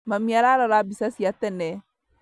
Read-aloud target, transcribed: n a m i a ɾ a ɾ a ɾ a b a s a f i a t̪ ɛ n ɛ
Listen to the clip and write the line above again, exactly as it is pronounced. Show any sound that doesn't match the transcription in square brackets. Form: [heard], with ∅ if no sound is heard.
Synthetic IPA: [m] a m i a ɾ a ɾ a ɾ a b [i] s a [s] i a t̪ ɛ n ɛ